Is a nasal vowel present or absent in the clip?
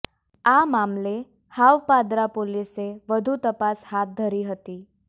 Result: absent